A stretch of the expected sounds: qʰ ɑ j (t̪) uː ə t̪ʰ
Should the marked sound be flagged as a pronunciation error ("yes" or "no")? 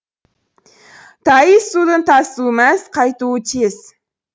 no